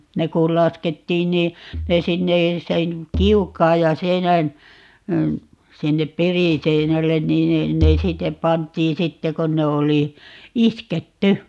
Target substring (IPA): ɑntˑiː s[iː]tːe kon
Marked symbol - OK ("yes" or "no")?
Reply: no